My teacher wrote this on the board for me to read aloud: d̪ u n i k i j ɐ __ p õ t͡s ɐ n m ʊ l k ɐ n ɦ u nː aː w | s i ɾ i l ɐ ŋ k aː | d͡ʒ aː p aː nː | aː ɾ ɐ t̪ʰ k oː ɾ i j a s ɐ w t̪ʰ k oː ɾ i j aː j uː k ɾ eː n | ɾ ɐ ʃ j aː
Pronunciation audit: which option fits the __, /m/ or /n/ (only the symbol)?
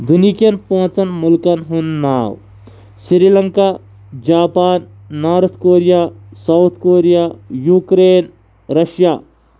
n